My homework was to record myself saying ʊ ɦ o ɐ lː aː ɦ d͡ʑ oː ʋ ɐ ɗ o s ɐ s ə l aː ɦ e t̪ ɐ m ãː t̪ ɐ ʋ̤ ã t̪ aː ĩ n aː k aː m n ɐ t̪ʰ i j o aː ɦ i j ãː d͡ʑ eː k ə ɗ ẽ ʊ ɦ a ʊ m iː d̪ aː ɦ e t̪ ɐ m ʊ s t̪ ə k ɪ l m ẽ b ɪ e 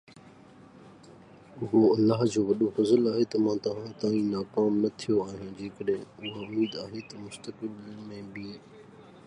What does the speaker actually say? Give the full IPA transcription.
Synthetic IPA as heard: ʊ ɦ o ɐ lː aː ɦ d͡ʑ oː ʋ ɐ ɗ o f ɐ z ə l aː ɦ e t̪ ɐ m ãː t̪ ɐ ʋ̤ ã t̪ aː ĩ n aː k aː m n ɐ t̪ʰ i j o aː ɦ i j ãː d͡ʑ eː k ə ɗ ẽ ʊ ɦ a ʊ m iː d̪ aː ɦ e t̪ ɐ m ʊ s t̪ ə k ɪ l m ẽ b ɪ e